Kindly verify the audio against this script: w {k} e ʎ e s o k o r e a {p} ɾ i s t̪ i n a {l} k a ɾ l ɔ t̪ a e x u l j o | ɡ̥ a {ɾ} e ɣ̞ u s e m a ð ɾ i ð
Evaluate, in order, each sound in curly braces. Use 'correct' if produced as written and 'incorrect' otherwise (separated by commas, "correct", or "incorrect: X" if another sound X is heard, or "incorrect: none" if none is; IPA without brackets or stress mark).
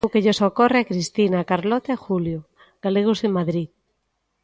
correct, incorrect: k, incorrect: none, incorrect: l